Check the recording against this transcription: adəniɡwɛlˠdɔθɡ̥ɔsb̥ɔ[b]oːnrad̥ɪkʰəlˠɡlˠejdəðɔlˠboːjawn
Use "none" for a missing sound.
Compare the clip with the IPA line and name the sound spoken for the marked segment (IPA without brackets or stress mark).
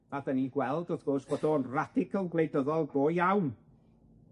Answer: d